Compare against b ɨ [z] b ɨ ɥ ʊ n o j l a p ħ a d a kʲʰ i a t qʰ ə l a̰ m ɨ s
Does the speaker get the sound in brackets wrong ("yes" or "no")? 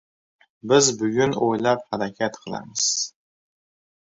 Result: no